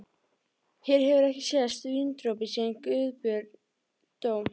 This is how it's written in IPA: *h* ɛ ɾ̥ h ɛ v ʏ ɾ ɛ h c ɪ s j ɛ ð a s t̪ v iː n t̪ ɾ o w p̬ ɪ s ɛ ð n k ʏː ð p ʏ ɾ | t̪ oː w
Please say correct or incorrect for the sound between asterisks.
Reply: correct